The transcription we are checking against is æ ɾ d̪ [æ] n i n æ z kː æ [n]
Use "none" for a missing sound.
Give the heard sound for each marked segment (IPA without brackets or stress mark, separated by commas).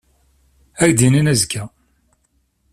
i, none